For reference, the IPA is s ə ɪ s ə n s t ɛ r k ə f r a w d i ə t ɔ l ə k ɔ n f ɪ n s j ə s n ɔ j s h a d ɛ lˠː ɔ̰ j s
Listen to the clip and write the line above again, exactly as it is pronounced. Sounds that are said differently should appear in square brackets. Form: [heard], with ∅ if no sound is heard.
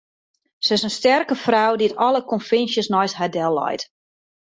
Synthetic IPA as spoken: s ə ɪ s ə n s t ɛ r k ə f r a w d i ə t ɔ l ə k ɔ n f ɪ n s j ə s n ɔ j s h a d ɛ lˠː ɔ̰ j [t]

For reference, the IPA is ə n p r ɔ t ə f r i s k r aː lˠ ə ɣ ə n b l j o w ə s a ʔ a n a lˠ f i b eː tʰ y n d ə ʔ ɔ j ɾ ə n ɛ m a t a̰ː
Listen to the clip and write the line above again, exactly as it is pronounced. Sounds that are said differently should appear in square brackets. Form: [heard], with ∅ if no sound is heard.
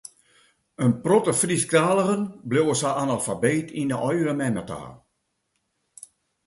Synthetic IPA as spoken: ə n p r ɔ t ə f r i s k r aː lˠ ə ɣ ə n b l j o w ə s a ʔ a n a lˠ f [a] b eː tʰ [i] n d ə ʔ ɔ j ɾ ə [m] ɛ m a t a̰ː

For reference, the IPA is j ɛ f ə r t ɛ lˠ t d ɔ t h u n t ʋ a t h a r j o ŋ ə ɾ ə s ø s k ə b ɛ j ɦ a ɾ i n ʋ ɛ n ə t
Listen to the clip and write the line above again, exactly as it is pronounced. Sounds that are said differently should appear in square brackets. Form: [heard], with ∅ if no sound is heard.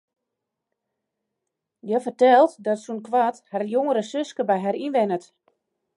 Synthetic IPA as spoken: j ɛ f ə r t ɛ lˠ t d ɔ t [s] u n [k] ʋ a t h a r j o ŋ ə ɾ ə s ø s k ə b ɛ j ɦ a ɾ i n ʋ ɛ n ə t

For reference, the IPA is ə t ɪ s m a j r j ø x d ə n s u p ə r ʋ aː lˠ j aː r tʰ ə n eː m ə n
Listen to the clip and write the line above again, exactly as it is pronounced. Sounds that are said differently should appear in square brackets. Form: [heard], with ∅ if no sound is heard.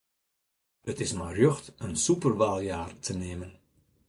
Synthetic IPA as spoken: ə t ɪ s m a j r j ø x [t] ə n s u p ə r ʋ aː lˠ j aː r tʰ ə n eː m ə n

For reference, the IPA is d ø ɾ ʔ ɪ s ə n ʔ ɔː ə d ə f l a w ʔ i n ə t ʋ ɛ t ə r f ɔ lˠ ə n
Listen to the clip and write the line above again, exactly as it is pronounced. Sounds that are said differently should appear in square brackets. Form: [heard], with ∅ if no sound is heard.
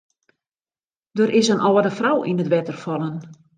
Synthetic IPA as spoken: d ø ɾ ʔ ɪ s ə n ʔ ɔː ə d ə f [r] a w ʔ i n ə t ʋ ɛ t ə r f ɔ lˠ ə n

